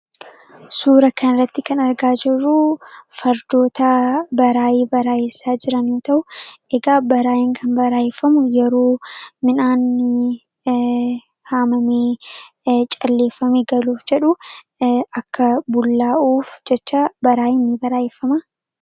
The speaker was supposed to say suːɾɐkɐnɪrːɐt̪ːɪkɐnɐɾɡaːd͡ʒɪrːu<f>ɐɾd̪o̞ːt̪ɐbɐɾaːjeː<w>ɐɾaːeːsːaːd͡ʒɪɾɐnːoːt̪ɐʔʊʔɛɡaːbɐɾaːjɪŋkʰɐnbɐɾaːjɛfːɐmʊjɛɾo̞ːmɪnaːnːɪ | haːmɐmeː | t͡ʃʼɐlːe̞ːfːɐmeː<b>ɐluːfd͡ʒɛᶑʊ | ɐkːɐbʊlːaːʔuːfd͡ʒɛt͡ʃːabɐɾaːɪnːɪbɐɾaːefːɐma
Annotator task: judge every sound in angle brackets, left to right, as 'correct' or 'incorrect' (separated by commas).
correct, incorrect, incorrect